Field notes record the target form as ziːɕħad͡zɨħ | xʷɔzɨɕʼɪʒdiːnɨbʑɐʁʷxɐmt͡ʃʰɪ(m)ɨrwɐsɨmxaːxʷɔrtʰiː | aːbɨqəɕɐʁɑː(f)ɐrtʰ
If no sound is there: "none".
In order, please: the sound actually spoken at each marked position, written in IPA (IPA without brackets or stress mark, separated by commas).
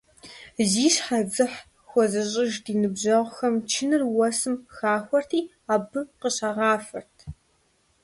n, f